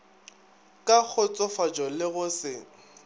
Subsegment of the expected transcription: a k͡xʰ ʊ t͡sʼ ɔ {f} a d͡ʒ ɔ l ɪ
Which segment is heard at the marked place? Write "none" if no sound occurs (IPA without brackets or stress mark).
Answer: f